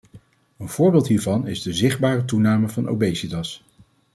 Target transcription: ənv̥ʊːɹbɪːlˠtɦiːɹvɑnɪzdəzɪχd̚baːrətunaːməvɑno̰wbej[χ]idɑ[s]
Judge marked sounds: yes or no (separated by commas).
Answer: no, yes